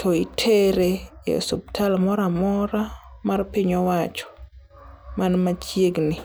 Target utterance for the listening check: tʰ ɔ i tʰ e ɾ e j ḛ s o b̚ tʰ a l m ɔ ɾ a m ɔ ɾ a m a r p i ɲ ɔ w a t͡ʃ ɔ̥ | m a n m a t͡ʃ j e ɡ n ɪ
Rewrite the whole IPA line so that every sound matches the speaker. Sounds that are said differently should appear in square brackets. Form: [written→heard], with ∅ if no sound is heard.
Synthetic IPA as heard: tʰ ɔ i tʰ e ɾ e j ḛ s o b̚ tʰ a l m ɔ ɾ a m ɔ ɾ a m a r p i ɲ ɔ w a t͡ʃ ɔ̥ | m a n m a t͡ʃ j e ɡ n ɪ